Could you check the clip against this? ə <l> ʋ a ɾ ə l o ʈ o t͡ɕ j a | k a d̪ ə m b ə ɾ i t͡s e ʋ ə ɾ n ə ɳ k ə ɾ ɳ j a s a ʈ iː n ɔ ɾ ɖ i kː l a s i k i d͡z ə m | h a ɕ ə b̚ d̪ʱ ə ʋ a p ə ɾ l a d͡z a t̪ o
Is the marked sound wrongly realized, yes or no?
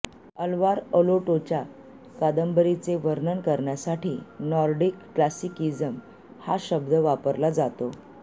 no